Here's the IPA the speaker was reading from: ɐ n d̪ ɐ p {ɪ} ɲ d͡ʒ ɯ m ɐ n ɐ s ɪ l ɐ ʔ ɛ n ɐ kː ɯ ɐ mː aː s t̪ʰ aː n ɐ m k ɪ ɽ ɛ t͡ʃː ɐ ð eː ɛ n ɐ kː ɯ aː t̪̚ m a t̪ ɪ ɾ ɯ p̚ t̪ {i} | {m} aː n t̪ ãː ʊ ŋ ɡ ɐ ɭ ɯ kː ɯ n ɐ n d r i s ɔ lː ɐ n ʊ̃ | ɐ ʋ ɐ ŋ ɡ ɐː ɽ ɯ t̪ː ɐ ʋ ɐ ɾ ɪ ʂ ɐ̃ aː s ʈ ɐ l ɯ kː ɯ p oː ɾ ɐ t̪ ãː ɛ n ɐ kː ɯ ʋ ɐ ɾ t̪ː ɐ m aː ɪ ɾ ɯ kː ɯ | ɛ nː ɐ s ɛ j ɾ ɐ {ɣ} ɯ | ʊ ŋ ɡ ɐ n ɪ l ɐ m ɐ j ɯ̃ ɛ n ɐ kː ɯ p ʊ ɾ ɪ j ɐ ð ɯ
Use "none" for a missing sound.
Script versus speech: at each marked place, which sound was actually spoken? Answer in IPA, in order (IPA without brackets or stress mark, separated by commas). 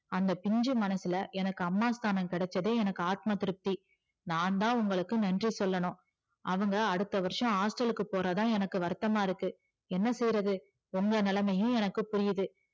ɪ, i, n, ð